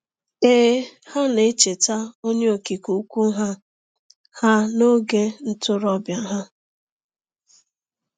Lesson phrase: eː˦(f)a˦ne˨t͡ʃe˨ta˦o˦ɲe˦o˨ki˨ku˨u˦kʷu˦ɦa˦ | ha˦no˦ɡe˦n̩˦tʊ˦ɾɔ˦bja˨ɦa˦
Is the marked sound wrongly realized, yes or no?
yes